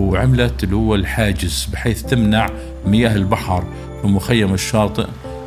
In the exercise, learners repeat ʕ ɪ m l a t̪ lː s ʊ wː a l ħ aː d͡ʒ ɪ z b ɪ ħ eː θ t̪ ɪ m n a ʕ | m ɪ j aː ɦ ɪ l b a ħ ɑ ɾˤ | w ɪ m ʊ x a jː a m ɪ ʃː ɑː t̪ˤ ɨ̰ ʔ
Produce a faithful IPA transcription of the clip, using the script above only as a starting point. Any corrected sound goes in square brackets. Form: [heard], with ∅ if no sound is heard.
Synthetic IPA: ʕ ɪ m l a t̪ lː [h] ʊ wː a l ħ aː d͡ʒ ɪ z b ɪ ħ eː θ t̪ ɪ m n a ʕ | m ɪ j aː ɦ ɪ l b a ħ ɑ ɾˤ | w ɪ m ʊ x a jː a m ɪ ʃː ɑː t̪ˤ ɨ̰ ʔ